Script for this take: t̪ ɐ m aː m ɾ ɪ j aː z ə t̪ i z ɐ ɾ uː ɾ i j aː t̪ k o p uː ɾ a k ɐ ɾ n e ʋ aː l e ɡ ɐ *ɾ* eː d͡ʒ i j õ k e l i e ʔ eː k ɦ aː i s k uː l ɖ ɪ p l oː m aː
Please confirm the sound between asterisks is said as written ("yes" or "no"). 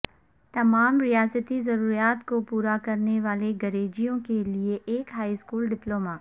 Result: yes